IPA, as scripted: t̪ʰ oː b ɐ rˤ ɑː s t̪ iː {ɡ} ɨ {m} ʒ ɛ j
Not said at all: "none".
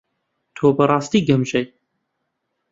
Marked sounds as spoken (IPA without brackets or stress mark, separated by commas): ɡ, m